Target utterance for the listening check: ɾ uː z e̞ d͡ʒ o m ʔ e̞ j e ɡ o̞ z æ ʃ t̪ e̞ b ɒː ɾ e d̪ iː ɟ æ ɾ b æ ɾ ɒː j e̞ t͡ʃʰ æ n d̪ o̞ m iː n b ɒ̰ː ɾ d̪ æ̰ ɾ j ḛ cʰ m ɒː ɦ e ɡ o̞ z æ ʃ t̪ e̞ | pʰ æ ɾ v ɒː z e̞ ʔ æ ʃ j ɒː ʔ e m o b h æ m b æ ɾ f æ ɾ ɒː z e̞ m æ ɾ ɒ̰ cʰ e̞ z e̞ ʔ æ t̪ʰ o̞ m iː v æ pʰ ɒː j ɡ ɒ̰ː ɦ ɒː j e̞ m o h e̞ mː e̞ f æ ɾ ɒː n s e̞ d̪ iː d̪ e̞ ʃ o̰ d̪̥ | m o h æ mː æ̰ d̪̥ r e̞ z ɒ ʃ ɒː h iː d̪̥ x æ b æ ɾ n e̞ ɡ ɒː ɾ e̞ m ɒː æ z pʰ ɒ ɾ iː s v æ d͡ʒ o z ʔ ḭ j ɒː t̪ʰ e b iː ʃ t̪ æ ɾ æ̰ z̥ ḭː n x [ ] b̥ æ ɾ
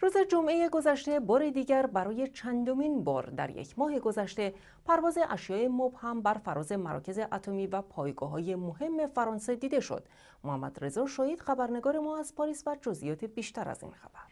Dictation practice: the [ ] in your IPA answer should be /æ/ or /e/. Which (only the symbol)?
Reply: æ